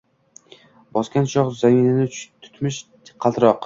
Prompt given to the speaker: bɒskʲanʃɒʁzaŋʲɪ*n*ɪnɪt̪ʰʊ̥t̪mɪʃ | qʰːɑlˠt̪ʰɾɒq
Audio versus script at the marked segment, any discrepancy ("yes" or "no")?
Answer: no